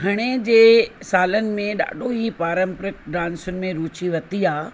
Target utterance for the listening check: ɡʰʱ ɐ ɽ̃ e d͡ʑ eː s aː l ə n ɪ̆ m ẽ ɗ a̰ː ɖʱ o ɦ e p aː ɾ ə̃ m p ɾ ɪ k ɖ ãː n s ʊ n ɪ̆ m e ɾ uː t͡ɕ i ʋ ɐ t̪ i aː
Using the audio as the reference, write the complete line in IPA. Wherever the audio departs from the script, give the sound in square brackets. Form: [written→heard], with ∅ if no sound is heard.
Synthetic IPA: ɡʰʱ ɐ ɽ̃ e d͡ʑ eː s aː l ə n ɪ̆ m ẽ ɗ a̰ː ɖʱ o ɦ [e→i] p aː ɾ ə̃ m p ɾ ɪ k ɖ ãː n s ʊ n ɪ̆ m [e→ẽ] ɾ uː t͡ɕ i ʋ ɐ t̪ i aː